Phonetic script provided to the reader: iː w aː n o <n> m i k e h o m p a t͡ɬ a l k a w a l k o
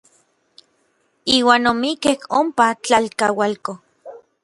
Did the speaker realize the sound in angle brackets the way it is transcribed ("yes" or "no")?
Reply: no